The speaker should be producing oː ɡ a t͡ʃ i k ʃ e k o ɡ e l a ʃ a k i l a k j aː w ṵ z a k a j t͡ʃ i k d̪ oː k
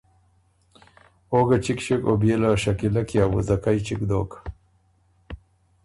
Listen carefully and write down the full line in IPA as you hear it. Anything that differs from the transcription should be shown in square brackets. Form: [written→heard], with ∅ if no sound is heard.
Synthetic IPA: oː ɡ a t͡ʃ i k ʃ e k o [ɡ→b] e l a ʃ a k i l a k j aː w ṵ z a k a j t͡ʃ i k d̪ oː k